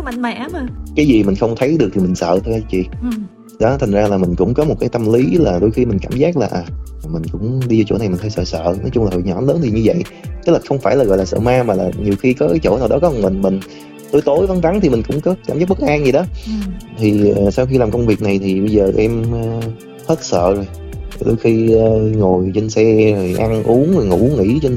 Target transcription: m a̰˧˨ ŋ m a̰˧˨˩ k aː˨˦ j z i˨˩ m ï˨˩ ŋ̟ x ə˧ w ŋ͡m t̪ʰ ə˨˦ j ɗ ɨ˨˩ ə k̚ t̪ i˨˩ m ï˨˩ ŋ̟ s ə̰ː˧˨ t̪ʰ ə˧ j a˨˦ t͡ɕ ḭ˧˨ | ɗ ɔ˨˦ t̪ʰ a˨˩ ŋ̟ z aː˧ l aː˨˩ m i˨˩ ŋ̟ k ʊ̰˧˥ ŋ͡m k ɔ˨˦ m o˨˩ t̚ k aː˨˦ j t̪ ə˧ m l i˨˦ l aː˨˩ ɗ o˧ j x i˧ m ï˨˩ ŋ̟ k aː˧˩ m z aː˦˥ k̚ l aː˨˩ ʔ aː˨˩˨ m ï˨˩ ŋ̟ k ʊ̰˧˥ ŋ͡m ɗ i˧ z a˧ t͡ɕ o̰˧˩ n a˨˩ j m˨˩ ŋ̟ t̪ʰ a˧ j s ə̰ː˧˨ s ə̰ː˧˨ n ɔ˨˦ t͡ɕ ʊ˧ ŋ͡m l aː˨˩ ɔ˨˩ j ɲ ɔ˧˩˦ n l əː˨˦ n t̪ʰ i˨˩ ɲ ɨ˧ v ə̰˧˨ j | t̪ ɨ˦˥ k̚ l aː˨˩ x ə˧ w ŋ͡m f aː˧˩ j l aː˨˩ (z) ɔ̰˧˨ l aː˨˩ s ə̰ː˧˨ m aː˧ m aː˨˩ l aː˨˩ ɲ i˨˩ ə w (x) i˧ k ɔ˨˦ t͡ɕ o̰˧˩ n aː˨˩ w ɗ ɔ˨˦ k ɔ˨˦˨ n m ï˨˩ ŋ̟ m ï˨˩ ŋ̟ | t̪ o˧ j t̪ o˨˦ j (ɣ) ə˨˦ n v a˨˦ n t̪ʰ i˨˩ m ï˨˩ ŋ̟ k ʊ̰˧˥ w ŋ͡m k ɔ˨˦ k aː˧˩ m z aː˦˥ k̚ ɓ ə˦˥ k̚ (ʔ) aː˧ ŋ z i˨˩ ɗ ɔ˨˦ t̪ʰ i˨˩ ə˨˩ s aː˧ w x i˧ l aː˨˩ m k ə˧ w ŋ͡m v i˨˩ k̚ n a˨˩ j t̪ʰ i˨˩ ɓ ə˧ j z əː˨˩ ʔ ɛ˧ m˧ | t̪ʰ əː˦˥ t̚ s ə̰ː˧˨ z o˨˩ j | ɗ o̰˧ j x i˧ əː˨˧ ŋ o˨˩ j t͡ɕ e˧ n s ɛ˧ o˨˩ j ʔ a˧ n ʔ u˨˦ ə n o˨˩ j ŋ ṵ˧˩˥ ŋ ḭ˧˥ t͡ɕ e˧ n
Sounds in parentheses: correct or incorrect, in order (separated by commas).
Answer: incorrect, correct, incorrect, correct